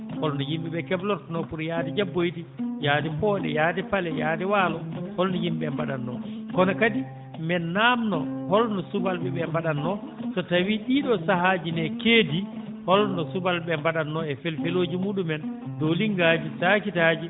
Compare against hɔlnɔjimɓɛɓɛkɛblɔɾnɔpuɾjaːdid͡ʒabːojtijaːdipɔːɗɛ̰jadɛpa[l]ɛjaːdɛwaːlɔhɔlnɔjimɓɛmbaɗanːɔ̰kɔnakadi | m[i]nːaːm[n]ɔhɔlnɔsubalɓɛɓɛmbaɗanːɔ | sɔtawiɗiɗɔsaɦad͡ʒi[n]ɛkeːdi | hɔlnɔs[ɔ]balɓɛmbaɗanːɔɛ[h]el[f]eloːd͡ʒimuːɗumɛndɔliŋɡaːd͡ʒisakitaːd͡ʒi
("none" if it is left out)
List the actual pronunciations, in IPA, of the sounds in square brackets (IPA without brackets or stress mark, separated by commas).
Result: l, ɛ, n, n, u, f, f